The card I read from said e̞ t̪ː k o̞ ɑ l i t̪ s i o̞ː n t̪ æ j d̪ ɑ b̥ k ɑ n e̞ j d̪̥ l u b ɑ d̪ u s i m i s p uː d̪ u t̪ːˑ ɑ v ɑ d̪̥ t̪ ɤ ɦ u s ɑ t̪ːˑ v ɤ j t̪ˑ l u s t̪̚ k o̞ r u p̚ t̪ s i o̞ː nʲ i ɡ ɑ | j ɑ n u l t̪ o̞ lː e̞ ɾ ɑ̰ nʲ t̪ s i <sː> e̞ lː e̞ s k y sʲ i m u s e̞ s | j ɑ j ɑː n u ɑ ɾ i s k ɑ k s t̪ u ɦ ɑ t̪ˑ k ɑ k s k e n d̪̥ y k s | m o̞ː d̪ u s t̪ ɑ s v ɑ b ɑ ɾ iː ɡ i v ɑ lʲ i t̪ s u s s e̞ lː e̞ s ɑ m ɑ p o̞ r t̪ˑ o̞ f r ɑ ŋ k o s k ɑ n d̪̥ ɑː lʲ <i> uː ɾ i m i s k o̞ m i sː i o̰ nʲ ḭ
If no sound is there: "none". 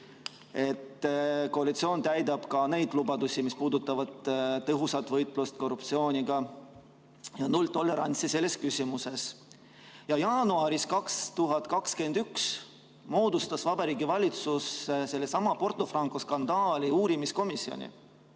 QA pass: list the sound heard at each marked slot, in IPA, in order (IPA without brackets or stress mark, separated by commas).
s, i